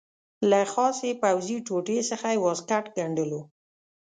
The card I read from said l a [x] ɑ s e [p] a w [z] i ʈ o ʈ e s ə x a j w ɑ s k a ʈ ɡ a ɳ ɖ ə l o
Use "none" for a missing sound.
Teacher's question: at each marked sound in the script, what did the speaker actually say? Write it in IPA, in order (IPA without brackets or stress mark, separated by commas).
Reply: x, p, z